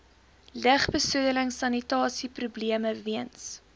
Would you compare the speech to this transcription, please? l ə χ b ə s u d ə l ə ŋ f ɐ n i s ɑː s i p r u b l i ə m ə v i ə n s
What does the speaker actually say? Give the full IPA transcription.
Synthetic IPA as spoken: l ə χ b ə s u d ə l ə ŋ s ɐ n i t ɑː s i p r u b l i ə m ə v i ə n s